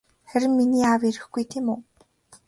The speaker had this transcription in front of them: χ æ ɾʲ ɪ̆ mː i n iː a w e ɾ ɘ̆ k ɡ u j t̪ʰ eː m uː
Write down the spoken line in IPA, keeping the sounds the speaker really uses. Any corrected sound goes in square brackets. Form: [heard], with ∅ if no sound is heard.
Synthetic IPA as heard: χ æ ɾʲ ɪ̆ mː i n iː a w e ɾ ɘ̆ [x] ɡ u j t̪ʰ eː m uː